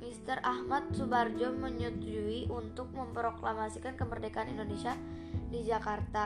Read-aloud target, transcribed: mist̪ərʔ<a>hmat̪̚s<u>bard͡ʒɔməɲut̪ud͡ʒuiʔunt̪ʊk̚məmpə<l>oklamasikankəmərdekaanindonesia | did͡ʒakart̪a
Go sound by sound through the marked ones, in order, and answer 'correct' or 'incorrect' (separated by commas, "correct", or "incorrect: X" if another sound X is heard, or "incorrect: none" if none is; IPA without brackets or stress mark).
correct, correct, incorrect: ɾ